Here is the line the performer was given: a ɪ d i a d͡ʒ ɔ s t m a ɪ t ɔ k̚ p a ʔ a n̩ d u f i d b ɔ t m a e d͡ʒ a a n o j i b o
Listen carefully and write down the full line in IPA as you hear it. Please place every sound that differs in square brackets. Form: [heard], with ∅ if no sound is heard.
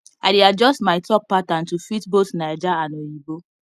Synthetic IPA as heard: a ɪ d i a d͡ʒ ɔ s t m a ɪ t ɔ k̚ p a [t] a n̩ [t] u f i [t] b [o] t [n] a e d͡ʒ a a n o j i b o